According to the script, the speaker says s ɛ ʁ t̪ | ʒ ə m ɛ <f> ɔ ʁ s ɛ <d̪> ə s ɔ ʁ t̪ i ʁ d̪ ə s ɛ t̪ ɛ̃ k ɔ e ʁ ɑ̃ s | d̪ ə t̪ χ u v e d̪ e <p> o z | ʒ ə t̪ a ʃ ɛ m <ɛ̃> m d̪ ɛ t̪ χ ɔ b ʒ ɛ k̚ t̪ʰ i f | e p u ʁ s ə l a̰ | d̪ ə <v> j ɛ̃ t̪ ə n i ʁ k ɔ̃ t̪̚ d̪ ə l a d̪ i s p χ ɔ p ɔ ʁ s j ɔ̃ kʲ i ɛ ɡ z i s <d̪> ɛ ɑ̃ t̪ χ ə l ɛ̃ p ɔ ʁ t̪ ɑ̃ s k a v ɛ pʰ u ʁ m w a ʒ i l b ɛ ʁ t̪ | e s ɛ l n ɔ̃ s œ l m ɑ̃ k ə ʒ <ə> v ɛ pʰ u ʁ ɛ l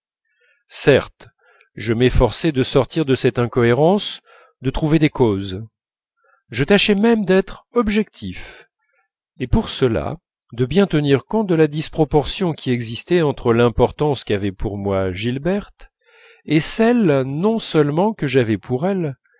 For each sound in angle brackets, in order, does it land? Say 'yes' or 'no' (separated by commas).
yes, yes, no, no, no, no, no